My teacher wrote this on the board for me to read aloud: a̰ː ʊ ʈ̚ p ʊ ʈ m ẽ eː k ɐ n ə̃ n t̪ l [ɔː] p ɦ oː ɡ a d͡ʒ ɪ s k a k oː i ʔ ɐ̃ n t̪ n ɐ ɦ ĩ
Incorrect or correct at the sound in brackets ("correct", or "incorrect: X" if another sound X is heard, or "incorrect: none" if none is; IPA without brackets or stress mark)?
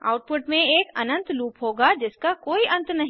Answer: incorrect: uː